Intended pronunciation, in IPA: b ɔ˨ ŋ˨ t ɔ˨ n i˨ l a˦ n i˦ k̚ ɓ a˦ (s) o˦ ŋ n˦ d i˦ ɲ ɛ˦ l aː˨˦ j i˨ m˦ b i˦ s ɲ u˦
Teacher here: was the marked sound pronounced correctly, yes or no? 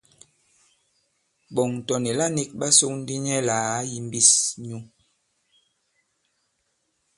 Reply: yes